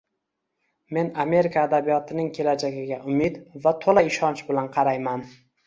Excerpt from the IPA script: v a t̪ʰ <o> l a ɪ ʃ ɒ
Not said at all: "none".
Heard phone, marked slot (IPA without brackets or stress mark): o